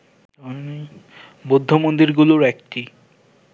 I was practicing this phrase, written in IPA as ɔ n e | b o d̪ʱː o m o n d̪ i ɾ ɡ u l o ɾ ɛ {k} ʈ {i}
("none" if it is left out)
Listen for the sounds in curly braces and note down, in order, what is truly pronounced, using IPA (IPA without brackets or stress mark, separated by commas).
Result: k, i